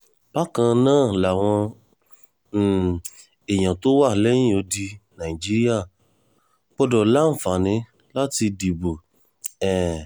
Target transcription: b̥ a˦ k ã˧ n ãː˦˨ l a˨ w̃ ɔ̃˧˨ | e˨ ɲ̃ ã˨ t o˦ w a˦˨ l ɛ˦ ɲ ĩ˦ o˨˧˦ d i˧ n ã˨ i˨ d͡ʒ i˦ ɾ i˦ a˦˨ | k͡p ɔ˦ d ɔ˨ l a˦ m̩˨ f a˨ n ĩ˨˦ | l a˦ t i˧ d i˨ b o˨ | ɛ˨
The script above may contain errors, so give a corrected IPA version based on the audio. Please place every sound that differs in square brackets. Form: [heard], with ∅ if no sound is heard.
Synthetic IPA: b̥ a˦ k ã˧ n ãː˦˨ l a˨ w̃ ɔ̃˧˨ | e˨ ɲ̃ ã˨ t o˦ w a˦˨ l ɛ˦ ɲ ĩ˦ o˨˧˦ d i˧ n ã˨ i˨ d͡ʒ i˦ ɾ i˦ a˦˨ | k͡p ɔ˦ d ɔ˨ l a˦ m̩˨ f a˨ n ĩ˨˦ | l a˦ t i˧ d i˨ b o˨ | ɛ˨